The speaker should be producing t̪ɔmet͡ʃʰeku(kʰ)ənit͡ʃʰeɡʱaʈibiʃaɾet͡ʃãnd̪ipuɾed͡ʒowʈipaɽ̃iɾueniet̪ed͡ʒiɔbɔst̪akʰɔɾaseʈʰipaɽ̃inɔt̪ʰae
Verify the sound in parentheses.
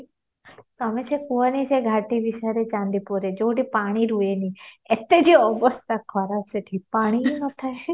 incorrect: none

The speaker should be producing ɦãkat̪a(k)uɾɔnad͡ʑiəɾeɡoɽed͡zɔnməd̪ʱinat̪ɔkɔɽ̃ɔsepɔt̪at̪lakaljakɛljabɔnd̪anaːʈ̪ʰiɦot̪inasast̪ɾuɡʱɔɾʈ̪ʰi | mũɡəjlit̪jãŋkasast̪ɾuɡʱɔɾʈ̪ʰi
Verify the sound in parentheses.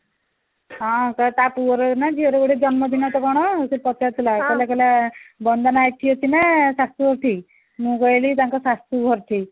incorrect: p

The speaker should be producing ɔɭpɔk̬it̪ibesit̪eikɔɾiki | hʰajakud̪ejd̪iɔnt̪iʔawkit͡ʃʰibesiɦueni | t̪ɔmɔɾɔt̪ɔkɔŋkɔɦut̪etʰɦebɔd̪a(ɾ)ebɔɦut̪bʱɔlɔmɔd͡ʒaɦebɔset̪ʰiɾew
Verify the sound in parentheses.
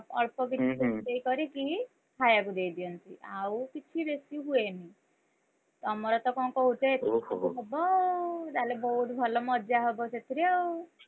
incorrect: l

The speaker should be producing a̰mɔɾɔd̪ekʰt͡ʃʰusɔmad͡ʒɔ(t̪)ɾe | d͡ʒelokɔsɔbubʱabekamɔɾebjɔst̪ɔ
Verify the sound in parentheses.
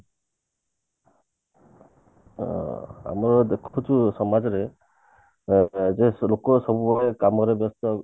incorrect: none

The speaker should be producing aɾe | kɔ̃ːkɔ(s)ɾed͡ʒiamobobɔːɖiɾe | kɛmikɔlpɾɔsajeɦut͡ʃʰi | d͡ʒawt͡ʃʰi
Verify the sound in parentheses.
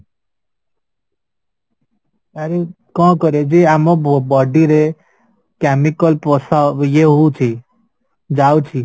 incorrect: none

